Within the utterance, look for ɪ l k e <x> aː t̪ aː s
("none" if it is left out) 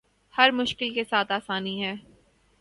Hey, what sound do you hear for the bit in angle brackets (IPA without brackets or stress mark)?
s